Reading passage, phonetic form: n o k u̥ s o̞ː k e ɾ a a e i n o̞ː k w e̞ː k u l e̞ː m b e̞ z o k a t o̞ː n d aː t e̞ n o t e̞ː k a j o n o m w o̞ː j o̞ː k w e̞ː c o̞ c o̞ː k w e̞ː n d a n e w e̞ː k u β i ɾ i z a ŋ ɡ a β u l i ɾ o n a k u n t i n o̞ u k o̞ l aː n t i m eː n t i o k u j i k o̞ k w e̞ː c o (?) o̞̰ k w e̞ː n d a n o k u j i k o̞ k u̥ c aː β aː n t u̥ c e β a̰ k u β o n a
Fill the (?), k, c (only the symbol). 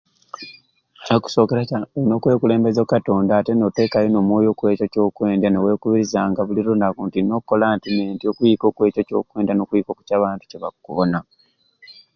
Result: c